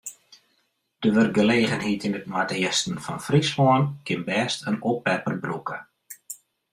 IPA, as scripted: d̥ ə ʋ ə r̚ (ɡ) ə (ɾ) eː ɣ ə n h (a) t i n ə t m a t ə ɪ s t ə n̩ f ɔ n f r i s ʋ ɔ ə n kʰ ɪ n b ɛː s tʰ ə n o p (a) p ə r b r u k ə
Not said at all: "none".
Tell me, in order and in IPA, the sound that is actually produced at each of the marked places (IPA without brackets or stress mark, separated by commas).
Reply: ɡ, l, i, ɛ